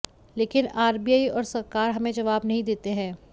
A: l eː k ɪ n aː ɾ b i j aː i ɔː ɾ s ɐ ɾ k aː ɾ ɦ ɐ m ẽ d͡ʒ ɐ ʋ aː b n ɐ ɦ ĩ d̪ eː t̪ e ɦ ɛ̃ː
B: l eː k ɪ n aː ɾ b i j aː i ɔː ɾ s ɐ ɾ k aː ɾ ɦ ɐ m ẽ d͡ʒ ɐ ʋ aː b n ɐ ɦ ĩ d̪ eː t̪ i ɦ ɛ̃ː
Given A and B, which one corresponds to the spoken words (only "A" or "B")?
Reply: A